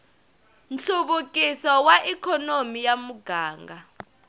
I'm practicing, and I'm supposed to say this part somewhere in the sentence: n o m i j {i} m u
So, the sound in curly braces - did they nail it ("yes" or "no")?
no